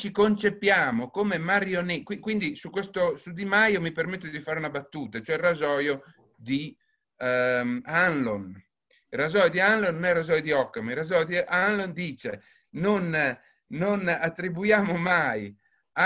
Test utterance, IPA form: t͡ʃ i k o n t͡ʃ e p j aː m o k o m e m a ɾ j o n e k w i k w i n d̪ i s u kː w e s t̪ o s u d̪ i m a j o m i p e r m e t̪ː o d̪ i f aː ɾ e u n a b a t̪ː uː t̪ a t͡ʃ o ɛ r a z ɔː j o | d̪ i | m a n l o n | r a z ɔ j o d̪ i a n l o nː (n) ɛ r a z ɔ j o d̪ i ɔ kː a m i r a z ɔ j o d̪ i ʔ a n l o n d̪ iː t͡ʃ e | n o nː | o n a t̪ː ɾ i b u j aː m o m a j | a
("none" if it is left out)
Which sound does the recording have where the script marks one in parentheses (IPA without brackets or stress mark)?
n